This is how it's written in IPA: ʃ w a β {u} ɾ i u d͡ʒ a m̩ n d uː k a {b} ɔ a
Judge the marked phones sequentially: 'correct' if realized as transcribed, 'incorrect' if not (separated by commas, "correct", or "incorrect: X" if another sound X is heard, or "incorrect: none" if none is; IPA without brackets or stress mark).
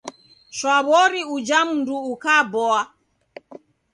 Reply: incorrect: ɔ, correct